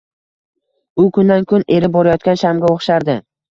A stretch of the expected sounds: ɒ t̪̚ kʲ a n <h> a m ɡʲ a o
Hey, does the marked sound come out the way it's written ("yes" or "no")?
no